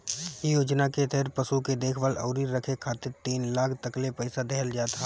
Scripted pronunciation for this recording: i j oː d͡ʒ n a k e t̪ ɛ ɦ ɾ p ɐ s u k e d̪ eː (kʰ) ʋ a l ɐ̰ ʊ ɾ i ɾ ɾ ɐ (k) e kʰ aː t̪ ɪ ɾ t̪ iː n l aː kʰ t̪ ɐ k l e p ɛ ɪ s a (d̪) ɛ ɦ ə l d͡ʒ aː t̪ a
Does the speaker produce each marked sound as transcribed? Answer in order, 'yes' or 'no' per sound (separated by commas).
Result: yes, no, yes